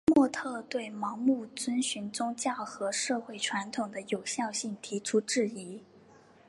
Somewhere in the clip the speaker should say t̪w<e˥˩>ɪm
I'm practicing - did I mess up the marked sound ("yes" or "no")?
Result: no